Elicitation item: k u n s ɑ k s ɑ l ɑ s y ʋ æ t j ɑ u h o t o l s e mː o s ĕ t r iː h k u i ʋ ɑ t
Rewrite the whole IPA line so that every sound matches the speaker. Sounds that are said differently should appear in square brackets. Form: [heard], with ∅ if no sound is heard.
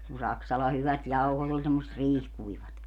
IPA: k u n s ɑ k s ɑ l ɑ [h] y ʋ æ t j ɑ u h o t o l s e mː o s ĕ t r iː h k u i ʋ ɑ t